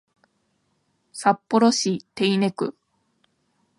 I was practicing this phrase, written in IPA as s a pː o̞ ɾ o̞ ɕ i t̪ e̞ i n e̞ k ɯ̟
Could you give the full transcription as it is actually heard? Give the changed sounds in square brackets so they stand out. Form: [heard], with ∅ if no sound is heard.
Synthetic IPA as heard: s a pː o̞ ɾ o̞ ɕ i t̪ e̞ i n e̞ k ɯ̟